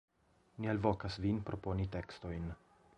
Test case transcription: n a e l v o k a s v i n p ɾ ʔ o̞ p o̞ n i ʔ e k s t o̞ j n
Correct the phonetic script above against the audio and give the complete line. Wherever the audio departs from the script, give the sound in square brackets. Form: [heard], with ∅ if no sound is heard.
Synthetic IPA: n [i] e l v o k a s v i n p ɾ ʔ o̞ p o̞ n i [t] e k s t o̞ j n